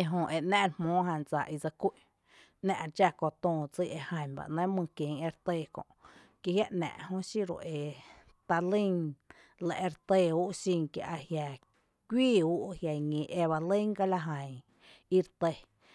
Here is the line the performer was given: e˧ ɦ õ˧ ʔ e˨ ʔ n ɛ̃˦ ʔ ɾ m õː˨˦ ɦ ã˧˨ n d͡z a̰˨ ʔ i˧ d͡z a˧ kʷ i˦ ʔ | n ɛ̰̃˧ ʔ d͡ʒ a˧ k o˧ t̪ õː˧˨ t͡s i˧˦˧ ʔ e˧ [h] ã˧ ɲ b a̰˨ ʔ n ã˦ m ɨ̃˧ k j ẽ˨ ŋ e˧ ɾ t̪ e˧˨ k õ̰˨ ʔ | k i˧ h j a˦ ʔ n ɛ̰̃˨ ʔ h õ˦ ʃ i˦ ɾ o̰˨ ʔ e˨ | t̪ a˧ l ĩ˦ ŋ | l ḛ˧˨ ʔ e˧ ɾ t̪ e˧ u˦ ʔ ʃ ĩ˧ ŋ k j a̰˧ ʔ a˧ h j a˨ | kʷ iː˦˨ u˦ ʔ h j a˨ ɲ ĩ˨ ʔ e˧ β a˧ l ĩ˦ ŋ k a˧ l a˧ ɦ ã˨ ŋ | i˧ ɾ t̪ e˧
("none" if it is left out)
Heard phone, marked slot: h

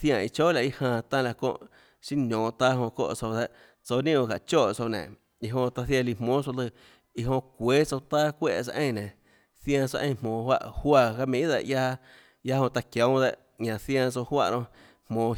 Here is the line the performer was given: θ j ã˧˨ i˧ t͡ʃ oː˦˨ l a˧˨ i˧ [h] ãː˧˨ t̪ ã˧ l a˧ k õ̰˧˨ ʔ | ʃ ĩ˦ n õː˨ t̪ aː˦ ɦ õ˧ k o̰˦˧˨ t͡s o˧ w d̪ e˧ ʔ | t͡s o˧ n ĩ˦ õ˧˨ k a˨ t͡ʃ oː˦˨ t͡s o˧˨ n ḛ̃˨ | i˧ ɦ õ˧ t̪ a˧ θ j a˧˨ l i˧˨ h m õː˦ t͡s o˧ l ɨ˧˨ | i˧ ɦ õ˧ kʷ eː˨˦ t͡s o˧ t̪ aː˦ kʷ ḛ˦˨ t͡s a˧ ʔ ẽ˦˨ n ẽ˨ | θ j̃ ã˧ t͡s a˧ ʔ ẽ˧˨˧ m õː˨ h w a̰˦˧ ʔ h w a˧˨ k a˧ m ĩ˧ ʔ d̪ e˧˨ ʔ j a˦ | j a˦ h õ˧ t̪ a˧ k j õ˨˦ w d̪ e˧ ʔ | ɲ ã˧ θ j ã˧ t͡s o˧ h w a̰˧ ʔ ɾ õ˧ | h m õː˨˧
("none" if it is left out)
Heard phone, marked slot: h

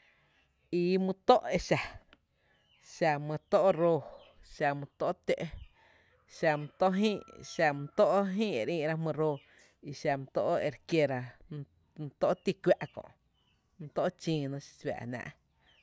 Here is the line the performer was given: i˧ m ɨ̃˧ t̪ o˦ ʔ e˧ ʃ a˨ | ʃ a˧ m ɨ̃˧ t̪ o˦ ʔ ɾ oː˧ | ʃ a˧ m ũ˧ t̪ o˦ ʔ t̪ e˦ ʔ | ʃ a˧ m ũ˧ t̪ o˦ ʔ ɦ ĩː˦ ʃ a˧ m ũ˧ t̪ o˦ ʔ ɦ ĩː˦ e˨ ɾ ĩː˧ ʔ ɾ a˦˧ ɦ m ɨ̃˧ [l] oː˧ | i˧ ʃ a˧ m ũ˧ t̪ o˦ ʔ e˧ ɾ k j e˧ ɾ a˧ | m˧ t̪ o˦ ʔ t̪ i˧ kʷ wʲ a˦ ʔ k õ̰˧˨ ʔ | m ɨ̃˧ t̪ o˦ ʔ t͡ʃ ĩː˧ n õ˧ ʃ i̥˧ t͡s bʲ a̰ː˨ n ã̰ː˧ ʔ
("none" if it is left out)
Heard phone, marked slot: ɾ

